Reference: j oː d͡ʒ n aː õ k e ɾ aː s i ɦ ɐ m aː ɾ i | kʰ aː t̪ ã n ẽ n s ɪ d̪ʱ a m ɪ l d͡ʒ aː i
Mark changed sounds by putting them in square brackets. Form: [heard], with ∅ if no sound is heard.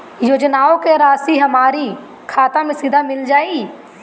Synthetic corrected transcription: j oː d͡ʒ n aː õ k e ɾ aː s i ɦ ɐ m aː ɾ i | kʰ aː t̪ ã [m] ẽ [∅] s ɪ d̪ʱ a m ɪ l d͡ʒ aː i